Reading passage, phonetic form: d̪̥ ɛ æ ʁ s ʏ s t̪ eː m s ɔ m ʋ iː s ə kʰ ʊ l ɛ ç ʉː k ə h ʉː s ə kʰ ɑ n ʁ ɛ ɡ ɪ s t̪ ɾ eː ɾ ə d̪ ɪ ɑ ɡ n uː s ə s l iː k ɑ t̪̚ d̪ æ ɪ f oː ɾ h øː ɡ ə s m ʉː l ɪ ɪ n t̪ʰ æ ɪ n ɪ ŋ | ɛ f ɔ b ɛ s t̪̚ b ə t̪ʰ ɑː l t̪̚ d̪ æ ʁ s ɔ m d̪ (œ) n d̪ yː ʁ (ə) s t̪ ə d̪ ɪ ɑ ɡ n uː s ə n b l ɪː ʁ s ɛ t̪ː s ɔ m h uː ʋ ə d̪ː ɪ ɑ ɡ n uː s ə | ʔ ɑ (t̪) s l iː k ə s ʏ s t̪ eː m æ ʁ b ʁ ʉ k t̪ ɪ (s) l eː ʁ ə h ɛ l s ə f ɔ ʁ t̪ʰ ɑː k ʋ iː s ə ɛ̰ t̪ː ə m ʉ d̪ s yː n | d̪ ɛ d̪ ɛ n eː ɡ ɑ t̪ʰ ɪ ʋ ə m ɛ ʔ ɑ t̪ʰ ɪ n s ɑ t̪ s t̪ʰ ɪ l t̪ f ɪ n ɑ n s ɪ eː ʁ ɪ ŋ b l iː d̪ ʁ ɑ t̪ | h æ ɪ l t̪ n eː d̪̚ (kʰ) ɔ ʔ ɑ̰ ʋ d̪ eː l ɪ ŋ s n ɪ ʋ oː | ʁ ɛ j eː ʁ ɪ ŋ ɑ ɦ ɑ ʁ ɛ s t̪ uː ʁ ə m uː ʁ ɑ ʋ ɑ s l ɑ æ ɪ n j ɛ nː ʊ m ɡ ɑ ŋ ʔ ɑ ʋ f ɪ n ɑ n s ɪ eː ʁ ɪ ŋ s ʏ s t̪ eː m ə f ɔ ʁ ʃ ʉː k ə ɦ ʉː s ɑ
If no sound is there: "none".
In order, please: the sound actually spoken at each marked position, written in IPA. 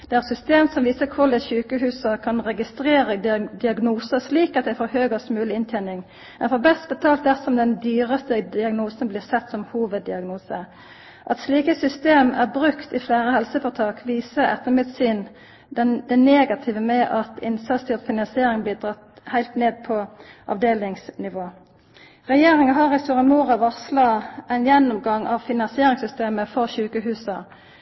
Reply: ɛ, ə, t̪, f, pʰ

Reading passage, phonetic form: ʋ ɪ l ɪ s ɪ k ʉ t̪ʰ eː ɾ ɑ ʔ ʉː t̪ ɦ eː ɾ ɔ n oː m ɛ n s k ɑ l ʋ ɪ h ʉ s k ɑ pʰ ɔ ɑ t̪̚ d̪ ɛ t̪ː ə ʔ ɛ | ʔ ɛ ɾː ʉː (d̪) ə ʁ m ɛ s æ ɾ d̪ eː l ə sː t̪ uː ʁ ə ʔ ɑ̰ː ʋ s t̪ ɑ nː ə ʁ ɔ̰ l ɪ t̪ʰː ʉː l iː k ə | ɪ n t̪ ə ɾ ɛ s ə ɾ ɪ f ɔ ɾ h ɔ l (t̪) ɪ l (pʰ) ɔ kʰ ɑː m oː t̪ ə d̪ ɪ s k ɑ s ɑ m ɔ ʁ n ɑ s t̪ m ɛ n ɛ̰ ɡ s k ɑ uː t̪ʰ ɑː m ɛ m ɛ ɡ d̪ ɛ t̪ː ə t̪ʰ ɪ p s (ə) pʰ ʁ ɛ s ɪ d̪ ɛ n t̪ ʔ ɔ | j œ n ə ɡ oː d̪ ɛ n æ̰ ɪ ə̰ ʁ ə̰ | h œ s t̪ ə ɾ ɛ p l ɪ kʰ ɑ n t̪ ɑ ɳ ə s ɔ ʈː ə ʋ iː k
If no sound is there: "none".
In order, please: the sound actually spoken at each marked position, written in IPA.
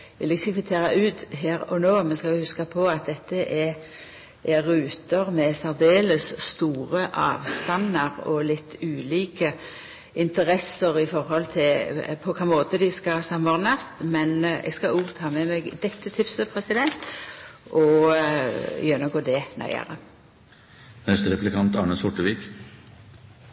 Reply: t̪, t̪ʰ, pʰ, ə

